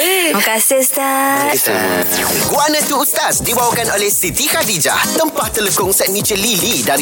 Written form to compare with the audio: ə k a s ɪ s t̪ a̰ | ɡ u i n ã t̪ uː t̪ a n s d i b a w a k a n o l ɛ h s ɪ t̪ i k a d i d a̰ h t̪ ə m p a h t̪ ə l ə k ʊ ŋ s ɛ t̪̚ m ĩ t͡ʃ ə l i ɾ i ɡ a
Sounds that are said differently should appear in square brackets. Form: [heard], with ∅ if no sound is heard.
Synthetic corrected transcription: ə k a s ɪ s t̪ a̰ | ɡ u [a] n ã t̪ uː t̪ a [∅] s d i b a w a k a n o l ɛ h s [i] t̪ i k a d i [d͡ʒ] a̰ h t̪ ə m p a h t̪ ə l ə k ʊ ŋ s ɛ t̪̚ m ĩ t͡ʃ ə l i [l] i [d] a